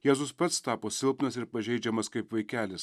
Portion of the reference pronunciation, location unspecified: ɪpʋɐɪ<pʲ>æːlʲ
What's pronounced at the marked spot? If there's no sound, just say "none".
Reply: kʲ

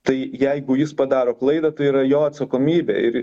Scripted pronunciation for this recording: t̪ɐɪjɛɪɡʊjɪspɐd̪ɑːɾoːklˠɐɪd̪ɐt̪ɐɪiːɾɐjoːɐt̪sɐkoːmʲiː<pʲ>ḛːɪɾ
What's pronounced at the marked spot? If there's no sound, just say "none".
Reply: bʲ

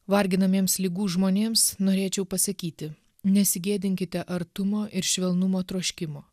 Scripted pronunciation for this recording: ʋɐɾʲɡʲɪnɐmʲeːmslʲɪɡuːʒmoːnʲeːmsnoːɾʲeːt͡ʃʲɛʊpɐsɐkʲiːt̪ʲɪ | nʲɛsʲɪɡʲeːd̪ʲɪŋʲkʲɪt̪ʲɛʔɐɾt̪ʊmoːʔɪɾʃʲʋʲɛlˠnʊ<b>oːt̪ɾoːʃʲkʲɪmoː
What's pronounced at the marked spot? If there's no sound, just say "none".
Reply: m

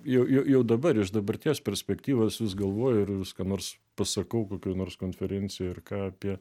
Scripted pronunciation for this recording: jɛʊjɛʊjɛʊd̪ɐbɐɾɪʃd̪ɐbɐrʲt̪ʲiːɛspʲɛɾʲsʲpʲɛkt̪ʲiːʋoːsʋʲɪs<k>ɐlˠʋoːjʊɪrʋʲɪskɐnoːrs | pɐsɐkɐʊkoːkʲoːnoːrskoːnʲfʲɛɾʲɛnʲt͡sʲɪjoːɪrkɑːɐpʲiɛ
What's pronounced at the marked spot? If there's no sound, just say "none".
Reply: ɡ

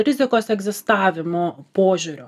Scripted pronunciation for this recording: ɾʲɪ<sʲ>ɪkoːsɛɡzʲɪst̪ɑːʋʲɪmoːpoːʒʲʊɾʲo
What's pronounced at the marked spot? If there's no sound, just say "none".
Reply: zʲ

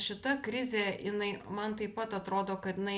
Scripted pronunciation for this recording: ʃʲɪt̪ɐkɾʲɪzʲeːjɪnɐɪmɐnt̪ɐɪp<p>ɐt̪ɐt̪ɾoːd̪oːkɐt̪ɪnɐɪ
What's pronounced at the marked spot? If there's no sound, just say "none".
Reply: p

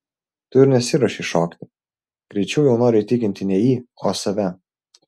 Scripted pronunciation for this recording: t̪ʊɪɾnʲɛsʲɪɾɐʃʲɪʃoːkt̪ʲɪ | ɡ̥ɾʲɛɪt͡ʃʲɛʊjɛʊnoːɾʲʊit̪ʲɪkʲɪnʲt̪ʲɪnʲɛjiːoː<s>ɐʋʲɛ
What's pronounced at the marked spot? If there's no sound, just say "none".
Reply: s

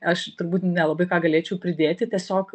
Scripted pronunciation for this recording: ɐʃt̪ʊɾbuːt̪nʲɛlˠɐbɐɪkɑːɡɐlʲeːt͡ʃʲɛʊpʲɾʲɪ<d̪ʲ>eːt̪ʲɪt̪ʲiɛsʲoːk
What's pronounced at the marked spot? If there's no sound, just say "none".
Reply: d̪ʲ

